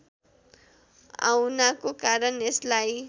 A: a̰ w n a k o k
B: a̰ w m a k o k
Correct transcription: A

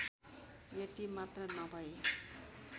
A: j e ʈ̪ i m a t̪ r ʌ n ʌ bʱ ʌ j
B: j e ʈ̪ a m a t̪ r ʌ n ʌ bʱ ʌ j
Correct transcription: A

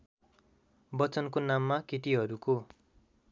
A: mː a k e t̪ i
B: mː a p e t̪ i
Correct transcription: A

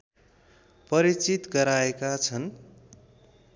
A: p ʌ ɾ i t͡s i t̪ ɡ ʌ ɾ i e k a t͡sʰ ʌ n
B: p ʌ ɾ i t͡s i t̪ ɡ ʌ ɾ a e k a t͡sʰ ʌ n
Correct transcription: B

